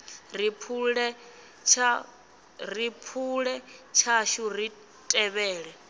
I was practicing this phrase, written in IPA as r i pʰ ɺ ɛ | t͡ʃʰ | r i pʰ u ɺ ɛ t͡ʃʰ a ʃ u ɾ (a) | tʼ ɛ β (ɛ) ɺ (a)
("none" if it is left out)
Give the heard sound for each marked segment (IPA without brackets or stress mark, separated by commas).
i, ɛː, ɛ